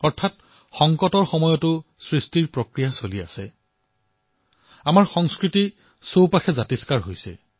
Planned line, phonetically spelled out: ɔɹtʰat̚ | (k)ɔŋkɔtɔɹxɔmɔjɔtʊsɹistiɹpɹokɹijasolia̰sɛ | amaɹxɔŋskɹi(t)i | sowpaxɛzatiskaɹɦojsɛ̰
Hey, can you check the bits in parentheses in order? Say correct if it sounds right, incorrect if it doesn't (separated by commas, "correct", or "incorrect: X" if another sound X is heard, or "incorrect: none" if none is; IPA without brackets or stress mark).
incorrect: x, correct